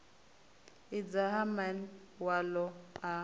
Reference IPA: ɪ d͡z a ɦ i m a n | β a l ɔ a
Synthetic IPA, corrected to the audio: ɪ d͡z a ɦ a m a n | w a l ɔ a